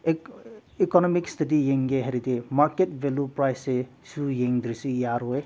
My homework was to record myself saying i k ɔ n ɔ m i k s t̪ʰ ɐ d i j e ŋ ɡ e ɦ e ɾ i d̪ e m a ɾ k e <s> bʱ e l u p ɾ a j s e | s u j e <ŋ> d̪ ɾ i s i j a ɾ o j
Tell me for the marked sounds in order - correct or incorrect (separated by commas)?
incorrect, correct